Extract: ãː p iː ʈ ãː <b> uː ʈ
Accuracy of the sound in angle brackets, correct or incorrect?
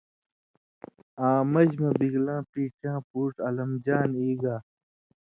incorrect